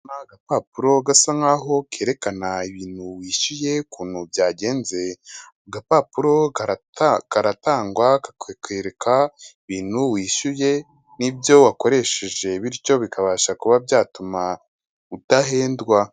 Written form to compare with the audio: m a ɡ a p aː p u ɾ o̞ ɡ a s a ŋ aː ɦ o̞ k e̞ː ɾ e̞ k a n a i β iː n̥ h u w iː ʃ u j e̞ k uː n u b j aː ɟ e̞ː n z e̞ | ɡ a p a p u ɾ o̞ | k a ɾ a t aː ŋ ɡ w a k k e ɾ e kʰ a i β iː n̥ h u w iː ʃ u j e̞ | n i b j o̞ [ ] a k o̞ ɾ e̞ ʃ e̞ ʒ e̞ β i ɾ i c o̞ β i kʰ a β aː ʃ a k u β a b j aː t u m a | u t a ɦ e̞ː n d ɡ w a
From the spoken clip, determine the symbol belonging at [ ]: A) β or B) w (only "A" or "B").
B